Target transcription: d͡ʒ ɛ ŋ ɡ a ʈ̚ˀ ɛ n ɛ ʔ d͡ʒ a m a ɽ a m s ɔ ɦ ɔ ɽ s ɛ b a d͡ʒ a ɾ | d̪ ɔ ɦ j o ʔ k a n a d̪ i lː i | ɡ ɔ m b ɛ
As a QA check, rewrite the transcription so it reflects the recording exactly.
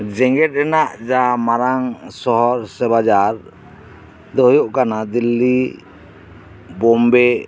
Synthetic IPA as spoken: d͡ʒ ɛ ŋ ɡ ɛ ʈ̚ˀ ɛ n a ʔ d͡ʒ a m a ɾ a ŋ s ɔ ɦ ɔ ɾ s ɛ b a d͡ʒ a ɾ | d̪ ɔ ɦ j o ʔ k a n a d̪ i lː i | b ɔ m b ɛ